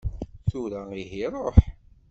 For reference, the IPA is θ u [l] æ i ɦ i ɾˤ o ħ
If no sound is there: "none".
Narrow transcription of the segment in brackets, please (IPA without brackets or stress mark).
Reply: ɾ